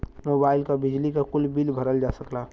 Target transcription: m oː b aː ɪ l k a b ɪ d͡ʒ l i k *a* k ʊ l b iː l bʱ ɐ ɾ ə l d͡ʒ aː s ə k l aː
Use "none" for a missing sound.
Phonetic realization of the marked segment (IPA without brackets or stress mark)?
a